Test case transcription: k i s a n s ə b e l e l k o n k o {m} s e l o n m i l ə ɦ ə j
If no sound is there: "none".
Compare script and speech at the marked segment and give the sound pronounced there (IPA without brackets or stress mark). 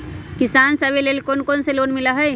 n